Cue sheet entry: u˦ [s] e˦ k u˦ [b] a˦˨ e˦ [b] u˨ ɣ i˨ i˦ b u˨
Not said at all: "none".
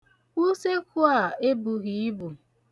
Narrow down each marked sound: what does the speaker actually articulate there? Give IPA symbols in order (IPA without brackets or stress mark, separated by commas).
s, none, b